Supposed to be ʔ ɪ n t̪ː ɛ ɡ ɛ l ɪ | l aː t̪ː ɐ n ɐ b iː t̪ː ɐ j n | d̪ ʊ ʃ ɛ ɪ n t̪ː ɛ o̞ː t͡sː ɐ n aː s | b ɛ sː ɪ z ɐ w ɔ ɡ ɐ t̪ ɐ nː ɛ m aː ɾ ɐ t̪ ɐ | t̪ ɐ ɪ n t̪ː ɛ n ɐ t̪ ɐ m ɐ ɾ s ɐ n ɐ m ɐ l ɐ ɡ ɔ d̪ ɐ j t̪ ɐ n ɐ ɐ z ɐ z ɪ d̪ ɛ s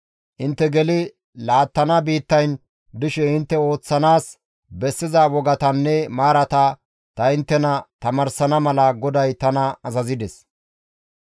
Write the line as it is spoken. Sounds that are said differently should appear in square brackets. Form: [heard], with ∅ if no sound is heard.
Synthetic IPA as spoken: ʔ ɪ n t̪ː ɛ ɡ ɛ l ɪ | l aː t̪ː ɐ n ɐ b iː t̪ː ɐ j n | d̪ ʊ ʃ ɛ ɪ n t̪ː ɛ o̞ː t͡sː ɐ n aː s | b ɛ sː ɪ z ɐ w ɔ ɡ ɐ t̪ ɐ nː ɛ m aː ɾ ɐ t̪ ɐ | t̪ ɐ ɪ n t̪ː ɛ n ɐ t̪ ɐ m ɐ ɾ s ɐ n ɐ m ɐ l ɐ ɡ ɔ d̪ ɐ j t̪ ɐ n ɐ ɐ z ɐ z ɪ d̪ ɛ s